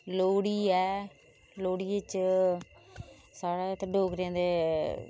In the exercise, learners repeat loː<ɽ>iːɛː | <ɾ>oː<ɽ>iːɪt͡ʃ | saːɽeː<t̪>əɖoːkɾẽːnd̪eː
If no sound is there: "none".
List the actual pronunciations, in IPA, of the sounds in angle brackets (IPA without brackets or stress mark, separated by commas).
ɽ, l, ɽ, t̪